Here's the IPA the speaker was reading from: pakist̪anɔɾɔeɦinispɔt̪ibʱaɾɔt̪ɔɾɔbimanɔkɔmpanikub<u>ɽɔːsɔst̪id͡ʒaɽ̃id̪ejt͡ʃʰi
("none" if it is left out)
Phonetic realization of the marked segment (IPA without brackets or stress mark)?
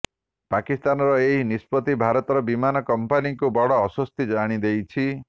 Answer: ɔ